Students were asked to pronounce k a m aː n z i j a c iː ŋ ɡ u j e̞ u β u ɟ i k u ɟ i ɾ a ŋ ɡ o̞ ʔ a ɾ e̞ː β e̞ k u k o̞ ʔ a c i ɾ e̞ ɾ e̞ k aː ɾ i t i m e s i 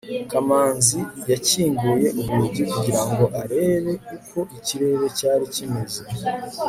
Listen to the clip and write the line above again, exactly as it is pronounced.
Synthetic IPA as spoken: k a m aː n z i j a c iː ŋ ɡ u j e̞ u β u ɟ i k u ɟ i ɾ a ŋ ɡ o̞ ʔ a ɾ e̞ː β e̞ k u k o̞ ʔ i c i ɾ e̞ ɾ e̞ c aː ɾ i c i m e z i